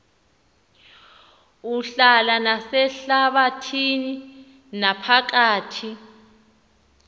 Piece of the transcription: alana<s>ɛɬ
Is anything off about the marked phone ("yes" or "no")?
no